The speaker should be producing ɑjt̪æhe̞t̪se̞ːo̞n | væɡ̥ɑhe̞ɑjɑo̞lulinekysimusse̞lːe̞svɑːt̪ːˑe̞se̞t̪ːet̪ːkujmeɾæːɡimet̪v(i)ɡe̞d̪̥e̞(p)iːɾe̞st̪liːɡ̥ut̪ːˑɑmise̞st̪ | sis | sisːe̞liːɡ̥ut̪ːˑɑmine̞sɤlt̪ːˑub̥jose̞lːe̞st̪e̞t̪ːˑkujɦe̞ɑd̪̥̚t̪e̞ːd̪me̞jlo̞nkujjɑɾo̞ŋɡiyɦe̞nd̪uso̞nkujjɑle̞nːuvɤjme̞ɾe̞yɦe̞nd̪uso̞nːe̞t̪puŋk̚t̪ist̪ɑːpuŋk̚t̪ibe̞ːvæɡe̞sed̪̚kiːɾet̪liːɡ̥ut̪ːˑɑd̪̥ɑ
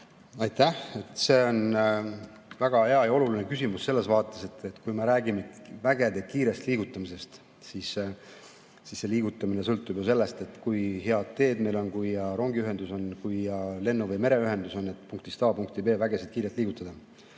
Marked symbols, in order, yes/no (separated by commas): no, no